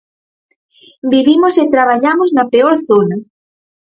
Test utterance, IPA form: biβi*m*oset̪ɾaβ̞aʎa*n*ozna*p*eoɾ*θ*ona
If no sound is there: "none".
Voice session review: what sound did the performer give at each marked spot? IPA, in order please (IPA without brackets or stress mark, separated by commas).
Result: m, m, p, θ